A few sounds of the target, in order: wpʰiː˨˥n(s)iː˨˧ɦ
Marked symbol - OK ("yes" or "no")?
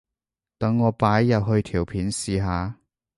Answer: yes